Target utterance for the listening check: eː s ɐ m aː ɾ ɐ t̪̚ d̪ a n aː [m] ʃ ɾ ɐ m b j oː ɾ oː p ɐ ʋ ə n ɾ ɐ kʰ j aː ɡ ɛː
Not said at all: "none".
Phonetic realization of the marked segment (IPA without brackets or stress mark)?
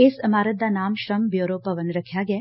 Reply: m